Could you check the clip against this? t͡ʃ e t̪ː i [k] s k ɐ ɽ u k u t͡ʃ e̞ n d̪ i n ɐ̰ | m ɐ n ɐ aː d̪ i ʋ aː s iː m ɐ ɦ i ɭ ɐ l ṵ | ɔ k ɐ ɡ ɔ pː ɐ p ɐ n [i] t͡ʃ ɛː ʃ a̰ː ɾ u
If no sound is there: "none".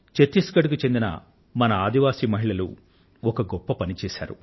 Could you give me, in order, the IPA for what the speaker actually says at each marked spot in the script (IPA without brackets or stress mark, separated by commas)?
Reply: none, i